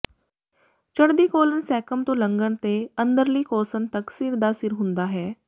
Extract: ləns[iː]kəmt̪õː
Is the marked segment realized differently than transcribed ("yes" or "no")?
yes